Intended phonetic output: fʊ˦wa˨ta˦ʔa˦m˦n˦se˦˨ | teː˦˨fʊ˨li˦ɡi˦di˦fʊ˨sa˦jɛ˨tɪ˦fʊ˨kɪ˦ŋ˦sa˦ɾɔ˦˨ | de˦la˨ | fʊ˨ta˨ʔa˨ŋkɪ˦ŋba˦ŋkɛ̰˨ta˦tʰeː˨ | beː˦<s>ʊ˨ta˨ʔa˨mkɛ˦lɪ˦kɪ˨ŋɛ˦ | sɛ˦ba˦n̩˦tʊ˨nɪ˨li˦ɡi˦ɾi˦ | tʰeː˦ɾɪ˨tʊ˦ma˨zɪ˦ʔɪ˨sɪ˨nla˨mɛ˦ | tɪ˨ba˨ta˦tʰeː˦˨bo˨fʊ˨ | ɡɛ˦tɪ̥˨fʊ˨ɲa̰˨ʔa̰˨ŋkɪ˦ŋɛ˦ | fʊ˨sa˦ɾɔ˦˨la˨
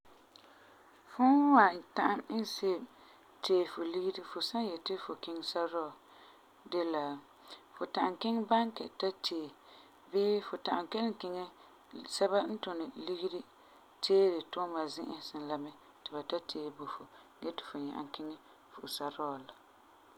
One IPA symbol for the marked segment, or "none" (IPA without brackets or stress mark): f